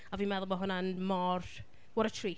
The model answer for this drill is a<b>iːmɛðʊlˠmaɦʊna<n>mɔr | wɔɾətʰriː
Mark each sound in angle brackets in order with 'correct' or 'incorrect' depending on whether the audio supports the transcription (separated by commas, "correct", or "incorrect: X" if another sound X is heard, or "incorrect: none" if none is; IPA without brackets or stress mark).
incorrect: v, correct